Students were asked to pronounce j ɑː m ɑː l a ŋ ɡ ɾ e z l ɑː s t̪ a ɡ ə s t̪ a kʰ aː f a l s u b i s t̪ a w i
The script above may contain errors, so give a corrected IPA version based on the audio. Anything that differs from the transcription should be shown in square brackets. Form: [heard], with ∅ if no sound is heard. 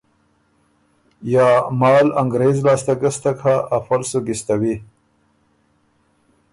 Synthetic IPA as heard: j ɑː m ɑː l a ŋ ɡ ɾ e z l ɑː s t̪ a ɡ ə s t̪ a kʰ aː f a l s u [ɡ] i s t̪ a w i